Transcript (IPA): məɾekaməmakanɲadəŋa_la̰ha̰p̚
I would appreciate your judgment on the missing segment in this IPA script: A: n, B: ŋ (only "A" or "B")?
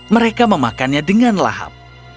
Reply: A